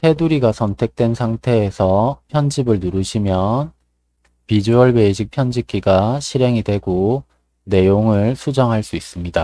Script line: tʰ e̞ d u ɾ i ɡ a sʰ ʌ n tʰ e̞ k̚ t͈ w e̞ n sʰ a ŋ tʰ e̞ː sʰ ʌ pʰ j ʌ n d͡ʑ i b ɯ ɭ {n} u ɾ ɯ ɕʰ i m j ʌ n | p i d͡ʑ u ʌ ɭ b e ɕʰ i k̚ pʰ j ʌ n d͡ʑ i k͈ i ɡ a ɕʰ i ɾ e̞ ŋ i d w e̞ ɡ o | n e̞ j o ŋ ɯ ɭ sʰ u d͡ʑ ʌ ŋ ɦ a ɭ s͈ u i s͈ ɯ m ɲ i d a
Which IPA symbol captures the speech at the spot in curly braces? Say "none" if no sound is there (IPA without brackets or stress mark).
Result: n